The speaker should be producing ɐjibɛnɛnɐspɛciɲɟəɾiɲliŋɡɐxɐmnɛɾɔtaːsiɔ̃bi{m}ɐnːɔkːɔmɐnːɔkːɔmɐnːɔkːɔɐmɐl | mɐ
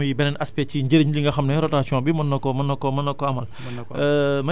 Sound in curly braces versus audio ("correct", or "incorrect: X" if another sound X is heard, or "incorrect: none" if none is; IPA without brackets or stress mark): correct